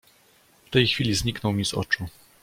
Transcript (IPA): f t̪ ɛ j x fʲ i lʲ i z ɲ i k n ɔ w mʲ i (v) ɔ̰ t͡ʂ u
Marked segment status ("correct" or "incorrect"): incorrect